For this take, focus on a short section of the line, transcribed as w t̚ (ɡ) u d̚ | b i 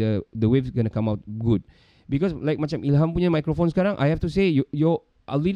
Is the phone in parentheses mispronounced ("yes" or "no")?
no